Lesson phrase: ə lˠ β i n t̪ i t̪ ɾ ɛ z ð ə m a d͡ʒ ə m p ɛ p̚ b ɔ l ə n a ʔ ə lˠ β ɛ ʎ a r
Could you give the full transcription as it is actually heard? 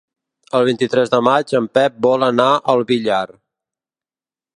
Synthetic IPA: ə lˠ β i n t̪ i t̪ ɾ ɛ z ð ə m a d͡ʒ ə m p ɛ p̚ b ɔ l ə n a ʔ ə lˠ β i ʎ a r

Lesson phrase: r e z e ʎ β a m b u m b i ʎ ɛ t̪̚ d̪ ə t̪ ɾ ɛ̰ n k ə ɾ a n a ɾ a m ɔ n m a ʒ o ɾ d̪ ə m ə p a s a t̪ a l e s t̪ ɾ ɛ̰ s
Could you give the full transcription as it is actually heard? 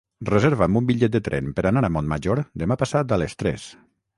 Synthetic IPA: r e z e ɾ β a m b u m b i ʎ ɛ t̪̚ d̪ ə t̪ ɾ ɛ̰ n p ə ɾ a n a ɾ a m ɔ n m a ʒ o ɾ d̪ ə m a p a s a t̪ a l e s t̪ ɾ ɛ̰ s

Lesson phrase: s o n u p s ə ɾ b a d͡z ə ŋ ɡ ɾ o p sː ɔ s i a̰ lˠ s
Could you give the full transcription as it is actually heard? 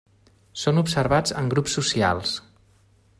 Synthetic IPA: s o n u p s ə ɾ β a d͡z ə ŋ ɡ ɾ u p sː u s i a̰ lˠ s

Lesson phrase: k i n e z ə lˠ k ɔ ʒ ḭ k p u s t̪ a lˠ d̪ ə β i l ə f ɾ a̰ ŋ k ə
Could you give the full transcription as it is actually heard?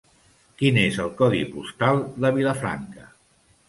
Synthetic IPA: k i n e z ə lˠ k ɔ ð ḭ p u s t̪ a lˠ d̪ ə β i l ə f ɾ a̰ ŋ k ə

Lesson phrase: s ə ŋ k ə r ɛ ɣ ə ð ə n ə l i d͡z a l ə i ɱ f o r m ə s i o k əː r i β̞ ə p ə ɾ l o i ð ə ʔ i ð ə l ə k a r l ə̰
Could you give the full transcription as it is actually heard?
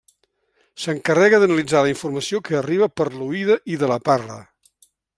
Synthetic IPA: s ə ŋ k ə r ɛ ɣ ə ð ə n ə l i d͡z a l ə i ɱ f u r m ə s i o k əː r i β̞ ə p ə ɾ l u i ð ə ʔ i ð ə l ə p a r l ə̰

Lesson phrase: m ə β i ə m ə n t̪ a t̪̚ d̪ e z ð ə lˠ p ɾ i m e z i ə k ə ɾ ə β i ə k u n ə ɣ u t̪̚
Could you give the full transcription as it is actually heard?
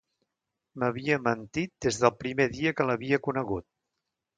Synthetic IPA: m ə β i ə m ə n t̪ i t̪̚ d̪ e z ð ə lˠ p ɾ i m e ð i ə k ə l ə β i ə k u n ə ɣ u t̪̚

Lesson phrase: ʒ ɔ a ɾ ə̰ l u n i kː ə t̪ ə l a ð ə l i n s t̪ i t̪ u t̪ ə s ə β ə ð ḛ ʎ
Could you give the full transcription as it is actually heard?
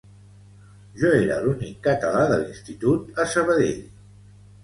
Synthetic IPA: ʒ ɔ e ɾ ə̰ l u n i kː ə t̪ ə l a ð ə l i n s t̪ i t̪ u t̪ ə s ə β ə ð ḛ ʎ

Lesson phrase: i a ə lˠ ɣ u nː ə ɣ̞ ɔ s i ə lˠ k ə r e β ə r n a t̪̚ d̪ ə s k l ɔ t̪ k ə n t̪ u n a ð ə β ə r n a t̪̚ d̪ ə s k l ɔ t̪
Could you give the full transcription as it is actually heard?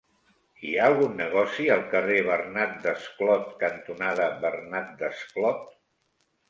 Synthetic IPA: i a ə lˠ ɣ u nː ə ɣ̞ ɔ s i ə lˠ k ə r e β ə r n a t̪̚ d̪ ə s k l ɔ t̪ k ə n t̪ u n a ð ə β ə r n a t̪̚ d̪ ə s k l ɔ t̪

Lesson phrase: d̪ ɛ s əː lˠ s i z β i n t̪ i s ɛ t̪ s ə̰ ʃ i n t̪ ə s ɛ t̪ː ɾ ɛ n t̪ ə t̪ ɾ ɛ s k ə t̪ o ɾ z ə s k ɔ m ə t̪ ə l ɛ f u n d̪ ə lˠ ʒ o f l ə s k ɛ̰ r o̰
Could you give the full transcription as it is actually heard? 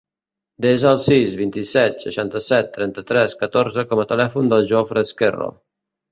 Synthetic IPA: d̪ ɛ z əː lˠ s i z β i n t̪ i s ɛ t̪ s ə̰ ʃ a n t̪ ə s ɛ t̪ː ɾ ɛ n t̪ ə t̪ ɾ ɛ s k ə t̪ o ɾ z ə k ɔ m ə t̪ ə l ɛ f u n d̪ ə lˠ ʒ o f ɾ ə s k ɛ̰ r o̰

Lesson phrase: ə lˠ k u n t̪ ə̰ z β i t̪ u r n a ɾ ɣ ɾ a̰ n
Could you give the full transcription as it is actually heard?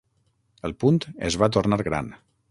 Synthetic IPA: ə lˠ p u n t̪ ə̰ z β a t̪ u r n a ɾ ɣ ɾ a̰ n

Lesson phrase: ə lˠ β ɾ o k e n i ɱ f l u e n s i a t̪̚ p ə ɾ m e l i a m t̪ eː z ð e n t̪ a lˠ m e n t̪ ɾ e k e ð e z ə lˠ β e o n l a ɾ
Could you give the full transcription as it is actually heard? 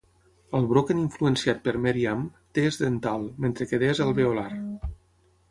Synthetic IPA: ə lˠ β ɾ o k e n i ɱ f l u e n s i a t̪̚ p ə ɾ m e ɾ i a m t̪ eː z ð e n t̪ a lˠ m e n t̪ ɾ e k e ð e z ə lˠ β e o l a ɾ

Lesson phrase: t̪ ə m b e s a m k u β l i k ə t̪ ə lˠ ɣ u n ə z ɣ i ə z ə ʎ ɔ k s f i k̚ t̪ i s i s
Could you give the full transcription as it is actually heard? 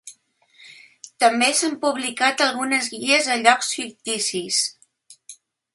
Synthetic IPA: t̪ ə m b e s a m p u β l i k a t̪ ə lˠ ɣ u n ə z ɣ i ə z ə ʎ ɔ k s f i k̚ t̪ i s i s

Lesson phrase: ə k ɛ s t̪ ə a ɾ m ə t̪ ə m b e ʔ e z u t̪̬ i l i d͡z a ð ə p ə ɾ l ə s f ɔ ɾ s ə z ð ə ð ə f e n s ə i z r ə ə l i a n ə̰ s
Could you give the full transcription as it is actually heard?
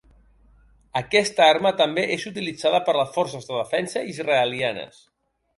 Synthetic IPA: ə k ɛ s t̪ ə a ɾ m ə t̪ ə m b e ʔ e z u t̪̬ i l i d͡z a ð ə p ə ɾ l ə s f ɔ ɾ s ə z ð ə ð ə f ɛ n s ə i z r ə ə l i a n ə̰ s

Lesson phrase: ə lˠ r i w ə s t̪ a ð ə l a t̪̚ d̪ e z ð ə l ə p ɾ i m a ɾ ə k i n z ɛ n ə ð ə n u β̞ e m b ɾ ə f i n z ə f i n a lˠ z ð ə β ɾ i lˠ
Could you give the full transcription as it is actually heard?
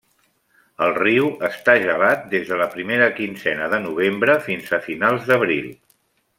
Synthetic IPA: ə lˠ r i w ə s t̪ a ʒ ə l a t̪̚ d̪ e z ð ə l ə p ɾ i m e ɾ ə k i n z ɛ n ə ð ə n u β̞ e m b ɾ ə f i n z ə f i n a lˠ z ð ə β ɾ i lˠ

